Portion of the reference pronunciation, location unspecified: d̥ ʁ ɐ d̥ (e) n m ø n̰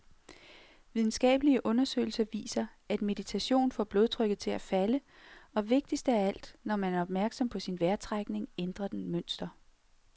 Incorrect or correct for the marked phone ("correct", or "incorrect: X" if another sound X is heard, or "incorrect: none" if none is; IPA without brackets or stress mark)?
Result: correct